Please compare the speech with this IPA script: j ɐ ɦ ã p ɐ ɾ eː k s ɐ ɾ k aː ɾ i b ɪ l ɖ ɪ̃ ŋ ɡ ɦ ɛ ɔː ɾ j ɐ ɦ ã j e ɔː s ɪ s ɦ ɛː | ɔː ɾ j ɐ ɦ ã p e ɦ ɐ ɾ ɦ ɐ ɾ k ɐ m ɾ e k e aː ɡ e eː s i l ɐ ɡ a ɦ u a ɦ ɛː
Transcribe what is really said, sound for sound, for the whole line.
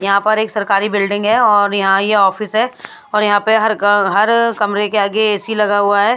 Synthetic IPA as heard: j ɐ ɦ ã p ɐ ɾ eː k s ɐ ɾ k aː ɾ i b ɪ l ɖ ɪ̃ ŋ ɡ ɦ ɛ ɔː ɾ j ɐ ɦ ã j e ɔː f ɪ s ɦ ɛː | ɔː ɾ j ɐ ɦ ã p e ɦ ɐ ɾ ɦ ɐ ɾ k ɐ m ɾ e k e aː ɡ e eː s i l ɐ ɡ a ɦ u a ɦ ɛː